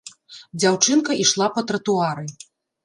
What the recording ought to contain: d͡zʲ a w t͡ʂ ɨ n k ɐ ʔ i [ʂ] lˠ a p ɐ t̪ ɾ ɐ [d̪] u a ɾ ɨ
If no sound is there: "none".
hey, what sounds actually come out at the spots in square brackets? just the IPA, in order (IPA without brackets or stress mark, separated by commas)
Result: ʂ, t̪